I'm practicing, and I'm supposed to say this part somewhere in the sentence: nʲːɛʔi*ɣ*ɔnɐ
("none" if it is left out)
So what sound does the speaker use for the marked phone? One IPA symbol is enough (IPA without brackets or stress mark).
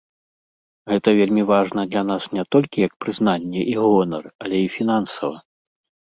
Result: ɣ